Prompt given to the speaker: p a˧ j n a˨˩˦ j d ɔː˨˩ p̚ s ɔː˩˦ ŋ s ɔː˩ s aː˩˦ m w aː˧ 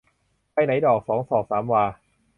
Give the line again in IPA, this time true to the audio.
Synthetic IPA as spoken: p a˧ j n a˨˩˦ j d ɔː˨˩ k̚ s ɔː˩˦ ŋ s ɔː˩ s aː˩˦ m w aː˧